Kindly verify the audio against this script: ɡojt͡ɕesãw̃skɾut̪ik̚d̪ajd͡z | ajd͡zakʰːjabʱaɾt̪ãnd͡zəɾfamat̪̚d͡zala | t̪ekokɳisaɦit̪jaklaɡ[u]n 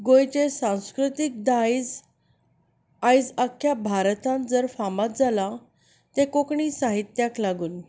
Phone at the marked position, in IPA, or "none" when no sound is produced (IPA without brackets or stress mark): uː